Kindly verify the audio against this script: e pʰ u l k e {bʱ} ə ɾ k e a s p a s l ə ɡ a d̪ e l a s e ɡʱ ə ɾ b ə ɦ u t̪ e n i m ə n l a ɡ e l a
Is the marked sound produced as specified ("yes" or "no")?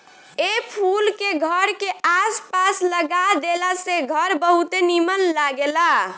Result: no